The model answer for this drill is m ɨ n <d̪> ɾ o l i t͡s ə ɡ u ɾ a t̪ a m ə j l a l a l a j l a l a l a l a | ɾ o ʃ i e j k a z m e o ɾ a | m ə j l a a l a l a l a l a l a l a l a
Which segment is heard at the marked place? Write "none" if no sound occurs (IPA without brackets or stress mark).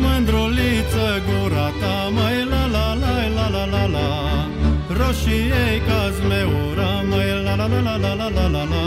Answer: d̪